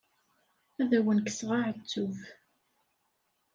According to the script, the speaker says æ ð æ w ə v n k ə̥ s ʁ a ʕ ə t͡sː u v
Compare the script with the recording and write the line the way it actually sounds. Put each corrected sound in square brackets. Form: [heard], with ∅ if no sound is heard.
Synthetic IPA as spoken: æ ð æ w ə [∅] n k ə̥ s ʁ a ʕ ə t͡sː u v